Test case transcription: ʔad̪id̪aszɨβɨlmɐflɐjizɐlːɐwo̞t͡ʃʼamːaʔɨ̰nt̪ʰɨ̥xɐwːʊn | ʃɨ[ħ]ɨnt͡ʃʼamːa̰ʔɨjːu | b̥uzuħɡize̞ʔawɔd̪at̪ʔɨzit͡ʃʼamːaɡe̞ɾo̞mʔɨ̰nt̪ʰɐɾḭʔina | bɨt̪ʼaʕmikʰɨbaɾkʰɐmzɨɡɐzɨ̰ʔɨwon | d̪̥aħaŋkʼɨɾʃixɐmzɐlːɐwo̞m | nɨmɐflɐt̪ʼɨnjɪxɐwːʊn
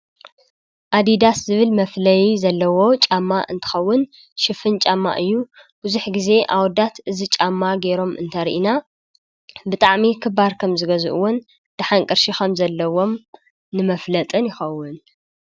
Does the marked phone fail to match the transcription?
yes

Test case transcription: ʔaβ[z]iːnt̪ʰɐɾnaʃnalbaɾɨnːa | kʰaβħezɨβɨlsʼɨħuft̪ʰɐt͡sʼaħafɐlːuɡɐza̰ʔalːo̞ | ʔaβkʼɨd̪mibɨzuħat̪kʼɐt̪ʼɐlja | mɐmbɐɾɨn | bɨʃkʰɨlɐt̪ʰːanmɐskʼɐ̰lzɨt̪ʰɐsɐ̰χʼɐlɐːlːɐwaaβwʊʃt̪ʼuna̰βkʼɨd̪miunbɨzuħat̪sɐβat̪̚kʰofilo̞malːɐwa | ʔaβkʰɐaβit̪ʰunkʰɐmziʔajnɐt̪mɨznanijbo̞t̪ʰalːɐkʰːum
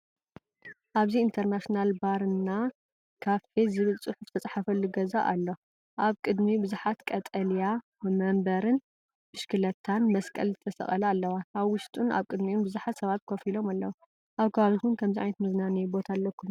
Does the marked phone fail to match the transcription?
no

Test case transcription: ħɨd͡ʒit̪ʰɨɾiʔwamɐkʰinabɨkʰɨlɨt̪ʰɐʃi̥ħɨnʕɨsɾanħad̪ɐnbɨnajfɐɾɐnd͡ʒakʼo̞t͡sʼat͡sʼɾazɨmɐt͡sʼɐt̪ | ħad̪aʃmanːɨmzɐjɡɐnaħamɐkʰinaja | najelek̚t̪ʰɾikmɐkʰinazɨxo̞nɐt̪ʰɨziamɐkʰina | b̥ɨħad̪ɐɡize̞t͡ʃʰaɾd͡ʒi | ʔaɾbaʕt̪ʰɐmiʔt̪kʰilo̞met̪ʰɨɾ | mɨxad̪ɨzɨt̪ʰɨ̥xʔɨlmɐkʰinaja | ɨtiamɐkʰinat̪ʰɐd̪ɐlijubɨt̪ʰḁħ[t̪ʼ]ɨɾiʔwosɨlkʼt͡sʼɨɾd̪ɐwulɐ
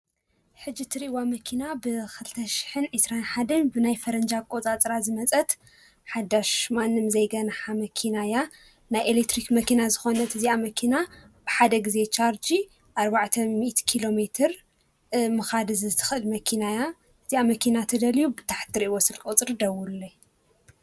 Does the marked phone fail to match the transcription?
yes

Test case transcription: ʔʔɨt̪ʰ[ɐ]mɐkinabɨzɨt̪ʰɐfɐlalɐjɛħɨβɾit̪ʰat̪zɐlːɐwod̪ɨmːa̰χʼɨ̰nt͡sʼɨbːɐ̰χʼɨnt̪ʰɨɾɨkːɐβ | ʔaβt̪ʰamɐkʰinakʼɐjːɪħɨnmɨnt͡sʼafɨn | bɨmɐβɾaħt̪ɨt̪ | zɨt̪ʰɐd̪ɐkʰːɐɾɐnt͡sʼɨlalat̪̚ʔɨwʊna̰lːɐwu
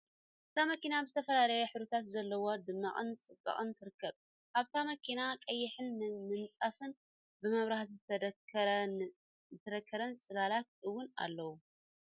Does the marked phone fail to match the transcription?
yes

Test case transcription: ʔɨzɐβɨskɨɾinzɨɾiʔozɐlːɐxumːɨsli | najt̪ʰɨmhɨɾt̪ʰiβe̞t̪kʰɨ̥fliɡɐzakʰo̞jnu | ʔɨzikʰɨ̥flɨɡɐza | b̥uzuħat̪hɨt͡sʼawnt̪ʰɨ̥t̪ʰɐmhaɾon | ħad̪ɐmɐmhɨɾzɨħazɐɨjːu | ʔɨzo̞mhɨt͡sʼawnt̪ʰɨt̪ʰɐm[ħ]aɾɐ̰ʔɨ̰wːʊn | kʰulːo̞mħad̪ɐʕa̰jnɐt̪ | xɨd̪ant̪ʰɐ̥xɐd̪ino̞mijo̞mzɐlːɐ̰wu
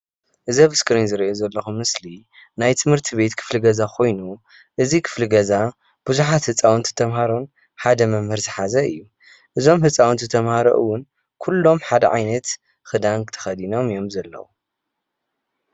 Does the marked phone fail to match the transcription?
yes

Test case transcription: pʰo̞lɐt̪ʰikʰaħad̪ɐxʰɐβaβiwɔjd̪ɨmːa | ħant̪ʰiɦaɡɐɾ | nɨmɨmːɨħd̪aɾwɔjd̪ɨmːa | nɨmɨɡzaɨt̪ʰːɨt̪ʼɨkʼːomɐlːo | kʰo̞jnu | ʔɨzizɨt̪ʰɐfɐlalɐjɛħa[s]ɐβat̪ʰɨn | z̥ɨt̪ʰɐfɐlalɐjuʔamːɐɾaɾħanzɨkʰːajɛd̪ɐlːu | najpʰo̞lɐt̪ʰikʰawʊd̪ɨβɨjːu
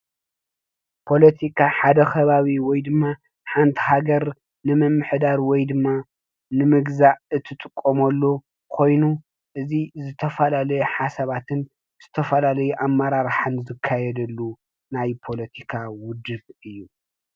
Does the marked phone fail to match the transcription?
no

